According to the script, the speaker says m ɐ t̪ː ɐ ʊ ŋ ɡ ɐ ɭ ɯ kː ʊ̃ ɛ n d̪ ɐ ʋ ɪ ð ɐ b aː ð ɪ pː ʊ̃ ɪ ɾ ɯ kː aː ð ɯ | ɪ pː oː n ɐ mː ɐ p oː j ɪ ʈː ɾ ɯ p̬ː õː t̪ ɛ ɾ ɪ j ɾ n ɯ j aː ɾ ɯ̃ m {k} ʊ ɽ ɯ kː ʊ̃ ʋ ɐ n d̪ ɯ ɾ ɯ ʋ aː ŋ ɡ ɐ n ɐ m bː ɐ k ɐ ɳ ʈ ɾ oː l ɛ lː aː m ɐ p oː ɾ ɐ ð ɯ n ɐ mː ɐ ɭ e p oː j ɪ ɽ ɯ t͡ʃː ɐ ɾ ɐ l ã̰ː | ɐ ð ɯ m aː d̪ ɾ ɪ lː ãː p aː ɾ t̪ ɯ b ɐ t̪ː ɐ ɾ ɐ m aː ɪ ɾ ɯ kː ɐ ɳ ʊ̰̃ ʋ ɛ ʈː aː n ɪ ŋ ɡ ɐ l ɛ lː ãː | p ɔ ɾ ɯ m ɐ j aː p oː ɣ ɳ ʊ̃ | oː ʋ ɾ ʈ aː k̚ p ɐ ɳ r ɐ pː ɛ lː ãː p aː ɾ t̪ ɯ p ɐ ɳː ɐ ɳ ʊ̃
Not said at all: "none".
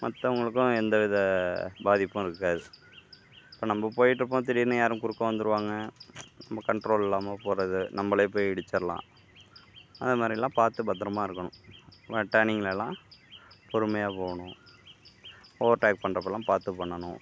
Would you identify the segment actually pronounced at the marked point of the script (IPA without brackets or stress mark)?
k